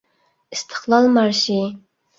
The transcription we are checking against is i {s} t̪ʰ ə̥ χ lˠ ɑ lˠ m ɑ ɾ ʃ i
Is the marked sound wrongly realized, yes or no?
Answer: no